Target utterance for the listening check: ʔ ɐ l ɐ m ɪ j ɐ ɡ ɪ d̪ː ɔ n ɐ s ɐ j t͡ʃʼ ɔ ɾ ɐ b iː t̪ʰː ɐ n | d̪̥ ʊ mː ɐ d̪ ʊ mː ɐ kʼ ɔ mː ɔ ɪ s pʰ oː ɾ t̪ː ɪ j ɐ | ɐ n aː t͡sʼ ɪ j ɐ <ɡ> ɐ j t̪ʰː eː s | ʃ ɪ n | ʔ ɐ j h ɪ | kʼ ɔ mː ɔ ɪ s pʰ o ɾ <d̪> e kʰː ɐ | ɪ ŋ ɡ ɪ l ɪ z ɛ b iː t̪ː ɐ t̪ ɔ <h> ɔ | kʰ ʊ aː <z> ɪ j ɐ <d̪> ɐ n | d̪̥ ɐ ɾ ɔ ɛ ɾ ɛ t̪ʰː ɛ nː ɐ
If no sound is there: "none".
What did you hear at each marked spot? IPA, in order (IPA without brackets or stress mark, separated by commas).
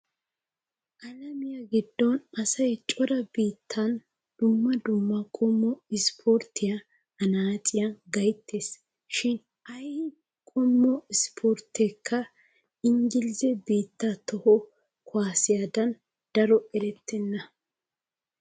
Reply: ɡ, t̪, h, s, d̪